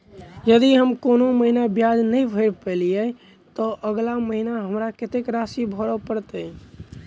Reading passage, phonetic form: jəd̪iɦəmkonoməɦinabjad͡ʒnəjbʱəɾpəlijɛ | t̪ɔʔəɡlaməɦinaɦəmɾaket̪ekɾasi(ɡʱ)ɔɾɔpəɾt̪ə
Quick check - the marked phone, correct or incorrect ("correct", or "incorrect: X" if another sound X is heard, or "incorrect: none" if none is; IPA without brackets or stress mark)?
incorrect: bʱ